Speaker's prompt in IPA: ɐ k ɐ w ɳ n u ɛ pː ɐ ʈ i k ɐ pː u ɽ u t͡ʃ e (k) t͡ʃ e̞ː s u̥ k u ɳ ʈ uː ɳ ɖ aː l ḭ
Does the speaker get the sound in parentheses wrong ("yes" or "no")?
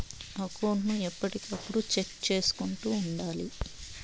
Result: no